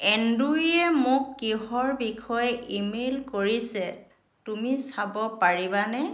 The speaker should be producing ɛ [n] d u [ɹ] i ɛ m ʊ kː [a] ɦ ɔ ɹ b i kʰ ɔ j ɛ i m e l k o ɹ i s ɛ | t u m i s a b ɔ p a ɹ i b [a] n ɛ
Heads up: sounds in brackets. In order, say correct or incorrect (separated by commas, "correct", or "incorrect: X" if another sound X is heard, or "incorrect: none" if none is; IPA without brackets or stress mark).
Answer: correct, correct, incorrect: i, correct